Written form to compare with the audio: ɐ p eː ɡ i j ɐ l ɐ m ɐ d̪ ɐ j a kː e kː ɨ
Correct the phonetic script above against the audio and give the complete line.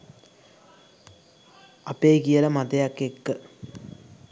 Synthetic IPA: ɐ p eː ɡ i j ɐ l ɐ m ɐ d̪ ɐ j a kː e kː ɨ